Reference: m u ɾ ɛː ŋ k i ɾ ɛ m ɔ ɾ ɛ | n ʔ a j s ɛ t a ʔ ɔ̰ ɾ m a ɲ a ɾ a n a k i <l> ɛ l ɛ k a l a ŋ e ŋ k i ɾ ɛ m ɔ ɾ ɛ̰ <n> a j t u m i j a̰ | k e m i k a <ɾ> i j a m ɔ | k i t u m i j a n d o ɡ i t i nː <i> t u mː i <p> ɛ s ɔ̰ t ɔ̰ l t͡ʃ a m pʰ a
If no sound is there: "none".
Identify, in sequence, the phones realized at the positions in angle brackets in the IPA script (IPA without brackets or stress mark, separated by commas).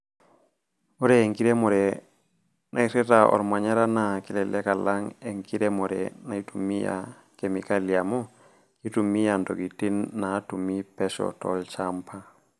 l, n, l, a, p